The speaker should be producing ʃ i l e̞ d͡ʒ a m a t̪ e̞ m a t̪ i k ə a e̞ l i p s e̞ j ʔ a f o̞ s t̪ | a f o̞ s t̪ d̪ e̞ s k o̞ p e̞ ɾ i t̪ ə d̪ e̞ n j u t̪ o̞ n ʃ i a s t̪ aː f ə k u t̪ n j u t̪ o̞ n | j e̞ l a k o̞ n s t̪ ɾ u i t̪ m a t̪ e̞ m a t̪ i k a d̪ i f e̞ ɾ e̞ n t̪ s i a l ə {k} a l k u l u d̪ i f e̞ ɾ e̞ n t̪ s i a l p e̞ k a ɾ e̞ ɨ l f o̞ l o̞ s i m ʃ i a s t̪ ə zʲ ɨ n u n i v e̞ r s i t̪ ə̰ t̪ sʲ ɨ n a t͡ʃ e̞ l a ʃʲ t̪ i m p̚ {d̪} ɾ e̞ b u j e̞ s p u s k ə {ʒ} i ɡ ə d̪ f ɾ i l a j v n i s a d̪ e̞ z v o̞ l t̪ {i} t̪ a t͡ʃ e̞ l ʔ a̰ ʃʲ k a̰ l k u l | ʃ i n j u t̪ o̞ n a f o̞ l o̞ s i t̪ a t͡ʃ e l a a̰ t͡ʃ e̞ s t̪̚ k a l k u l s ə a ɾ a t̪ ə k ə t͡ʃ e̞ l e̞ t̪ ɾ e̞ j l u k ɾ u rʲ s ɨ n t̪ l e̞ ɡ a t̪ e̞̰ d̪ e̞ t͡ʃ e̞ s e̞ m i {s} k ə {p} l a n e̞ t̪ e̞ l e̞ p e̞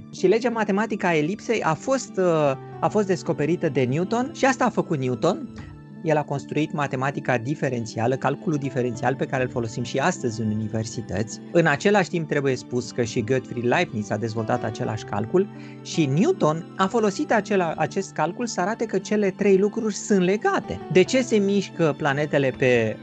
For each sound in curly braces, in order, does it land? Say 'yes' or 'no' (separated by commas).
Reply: yes, no, no, no, no, yes